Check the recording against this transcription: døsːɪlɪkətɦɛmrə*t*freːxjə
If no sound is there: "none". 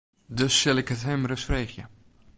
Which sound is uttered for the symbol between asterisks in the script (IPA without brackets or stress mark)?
s